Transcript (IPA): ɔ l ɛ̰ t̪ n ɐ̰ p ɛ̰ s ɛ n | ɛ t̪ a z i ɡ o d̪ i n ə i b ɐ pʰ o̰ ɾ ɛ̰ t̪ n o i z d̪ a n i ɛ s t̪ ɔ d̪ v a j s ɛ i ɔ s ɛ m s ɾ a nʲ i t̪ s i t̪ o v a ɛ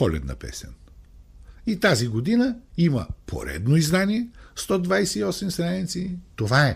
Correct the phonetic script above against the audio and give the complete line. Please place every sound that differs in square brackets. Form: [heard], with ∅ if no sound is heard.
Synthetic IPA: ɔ l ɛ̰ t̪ n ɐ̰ p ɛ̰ s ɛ n | [i] t̪ a z i ɡ o d̪ i n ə i [m] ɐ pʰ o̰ ɾ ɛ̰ [d̪] n o i z d̪ a n i ɛ s t̪ ɔ d̪ v a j s ɛ i ɔ s ɛ m s ɾ a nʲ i t̪ s i t̪ o v a ɛ